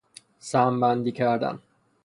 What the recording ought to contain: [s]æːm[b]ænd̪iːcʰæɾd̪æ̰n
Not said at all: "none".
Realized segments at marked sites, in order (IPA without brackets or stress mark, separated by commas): s, b